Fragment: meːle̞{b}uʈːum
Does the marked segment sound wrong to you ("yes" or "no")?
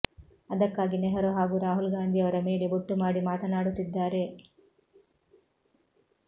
no